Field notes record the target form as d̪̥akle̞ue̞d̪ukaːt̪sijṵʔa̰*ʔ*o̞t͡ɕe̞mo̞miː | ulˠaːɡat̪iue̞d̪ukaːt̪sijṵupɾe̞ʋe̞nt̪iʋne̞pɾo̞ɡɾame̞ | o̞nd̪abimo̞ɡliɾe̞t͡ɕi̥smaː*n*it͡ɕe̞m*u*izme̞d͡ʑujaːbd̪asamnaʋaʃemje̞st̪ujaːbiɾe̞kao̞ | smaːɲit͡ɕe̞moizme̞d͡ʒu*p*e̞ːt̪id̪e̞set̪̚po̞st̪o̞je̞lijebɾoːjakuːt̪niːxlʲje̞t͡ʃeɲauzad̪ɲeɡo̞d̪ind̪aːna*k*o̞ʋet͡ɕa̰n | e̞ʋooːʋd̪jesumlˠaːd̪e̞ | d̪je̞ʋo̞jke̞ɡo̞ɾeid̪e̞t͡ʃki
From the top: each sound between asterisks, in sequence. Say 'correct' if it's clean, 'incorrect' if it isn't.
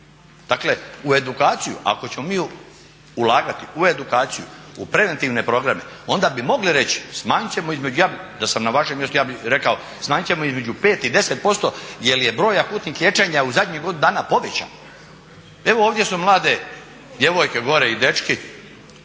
incorrect, incorrect, incorrect, correct, incorrect

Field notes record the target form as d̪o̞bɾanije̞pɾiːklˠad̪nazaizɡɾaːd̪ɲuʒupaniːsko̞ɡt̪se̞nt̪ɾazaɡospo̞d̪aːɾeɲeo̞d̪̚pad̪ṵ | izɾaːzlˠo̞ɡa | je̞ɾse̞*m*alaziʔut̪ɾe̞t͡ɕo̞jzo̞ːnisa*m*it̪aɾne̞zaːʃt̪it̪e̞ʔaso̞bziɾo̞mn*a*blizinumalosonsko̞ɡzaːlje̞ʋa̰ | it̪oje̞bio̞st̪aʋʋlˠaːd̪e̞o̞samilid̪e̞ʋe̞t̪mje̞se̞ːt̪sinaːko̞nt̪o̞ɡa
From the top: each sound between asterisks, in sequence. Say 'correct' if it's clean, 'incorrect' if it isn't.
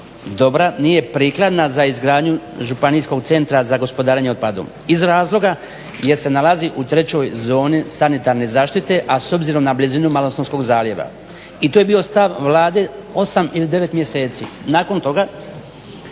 incorrect, incorrect, correct

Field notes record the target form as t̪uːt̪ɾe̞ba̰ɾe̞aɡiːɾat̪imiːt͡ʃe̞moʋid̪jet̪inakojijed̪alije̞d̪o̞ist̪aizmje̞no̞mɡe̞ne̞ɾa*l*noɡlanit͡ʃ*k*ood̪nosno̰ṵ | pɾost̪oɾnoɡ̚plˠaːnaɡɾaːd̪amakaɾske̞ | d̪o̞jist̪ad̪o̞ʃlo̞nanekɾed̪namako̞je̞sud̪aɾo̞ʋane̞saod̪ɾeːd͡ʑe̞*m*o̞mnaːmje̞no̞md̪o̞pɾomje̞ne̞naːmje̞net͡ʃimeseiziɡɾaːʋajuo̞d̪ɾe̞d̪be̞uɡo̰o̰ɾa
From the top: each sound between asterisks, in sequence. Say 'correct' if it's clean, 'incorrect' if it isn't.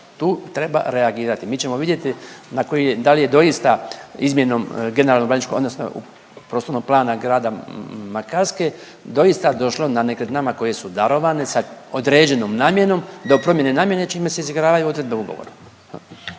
correct, correct, incorrect

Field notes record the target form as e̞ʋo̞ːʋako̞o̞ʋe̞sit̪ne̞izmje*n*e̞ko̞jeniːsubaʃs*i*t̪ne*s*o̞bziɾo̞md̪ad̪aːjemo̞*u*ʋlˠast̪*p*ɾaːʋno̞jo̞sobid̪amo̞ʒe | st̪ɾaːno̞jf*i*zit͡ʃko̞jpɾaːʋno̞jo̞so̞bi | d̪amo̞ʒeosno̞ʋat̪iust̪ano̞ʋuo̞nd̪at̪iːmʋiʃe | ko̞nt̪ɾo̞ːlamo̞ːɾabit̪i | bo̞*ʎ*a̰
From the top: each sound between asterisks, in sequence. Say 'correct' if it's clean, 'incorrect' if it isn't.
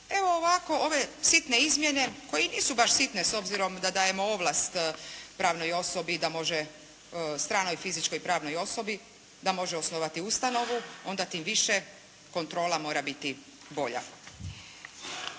correct, correct, correct, incorrect, correct, correct, correct

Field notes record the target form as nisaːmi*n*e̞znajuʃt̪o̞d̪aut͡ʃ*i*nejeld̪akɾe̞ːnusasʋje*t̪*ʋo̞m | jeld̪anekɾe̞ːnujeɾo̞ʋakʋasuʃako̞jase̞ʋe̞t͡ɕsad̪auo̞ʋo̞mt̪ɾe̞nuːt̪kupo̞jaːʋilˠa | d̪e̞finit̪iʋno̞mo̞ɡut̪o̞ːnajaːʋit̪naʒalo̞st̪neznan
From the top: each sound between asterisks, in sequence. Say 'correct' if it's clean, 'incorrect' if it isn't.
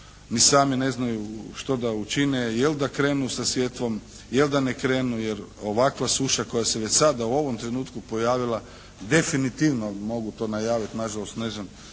correct, correct, correct

